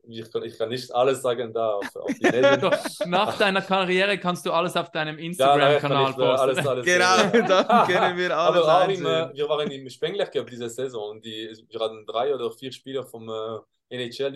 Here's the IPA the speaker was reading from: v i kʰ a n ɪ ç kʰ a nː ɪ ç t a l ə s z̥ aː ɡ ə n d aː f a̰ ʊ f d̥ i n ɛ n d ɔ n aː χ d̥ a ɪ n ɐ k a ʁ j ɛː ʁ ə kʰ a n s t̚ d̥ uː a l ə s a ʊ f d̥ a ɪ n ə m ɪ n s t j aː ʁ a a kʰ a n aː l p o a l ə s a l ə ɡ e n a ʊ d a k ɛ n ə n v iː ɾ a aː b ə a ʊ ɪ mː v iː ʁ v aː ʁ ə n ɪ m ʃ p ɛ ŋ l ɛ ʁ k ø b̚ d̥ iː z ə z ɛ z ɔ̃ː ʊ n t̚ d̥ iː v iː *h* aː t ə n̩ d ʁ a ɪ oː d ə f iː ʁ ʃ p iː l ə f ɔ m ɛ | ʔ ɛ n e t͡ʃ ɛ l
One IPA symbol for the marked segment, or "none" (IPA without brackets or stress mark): h